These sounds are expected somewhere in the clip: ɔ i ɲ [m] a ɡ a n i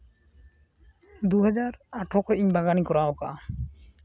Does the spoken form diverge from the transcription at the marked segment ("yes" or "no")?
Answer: yes